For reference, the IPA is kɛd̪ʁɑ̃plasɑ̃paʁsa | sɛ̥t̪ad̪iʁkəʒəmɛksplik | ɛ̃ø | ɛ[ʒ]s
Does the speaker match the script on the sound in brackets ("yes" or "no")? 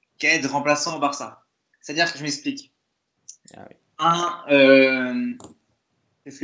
no